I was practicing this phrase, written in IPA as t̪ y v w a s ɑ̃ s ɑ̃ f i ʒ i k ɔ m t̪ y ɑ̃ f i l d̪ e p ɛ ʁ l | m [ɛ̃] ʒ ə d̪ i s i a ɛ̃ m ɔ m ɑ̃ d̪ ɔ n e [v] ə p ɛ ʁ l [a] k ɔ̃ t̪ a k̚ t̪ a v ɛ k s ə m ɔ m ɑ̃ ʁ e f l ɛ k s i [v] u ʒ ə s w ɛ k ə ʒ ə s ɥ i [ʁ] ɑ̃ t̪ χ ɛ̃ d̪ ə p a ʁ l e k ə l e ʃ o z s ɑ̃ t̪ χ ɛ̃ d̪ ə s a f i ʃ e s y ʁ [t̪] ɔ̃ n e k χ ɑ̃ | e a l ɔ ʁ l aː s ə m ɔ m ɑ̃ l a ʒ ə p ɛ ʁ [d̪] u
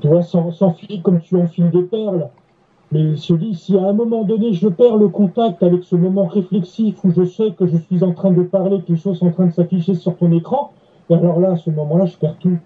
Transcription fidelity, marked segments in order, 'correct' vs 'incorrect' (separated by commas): incorrect, incorrect, incorrect, incorrect, incorrect, correct, incorrect